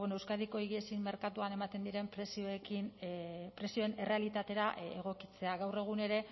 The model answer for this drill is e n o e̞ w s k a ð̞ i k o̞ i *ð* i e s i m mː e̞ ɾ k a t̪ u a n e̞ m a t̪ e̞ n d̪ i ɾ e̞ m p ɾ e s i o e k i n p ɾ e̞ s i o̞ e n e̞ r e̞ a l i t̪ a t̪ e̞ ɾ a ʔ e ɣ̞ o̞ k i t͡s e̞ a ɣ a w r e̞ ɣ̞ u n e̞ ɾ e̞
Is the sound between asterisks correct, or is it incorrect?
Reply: incorrect